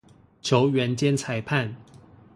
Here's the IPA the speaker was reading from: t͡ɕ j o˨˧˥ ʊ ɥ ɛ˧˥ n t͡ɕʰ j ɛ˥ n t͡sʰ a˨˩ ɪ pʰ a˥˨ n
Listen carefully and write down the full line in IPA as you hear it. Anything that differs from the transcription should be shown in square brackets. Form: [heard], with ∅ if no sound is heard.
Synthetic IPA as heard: [t͡ɕʰ] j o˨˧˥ ʊ ɥ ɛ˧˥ n [t͡ɕ] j ɛ˥ n t͡sʰ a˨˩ ɪ pʰ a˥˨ n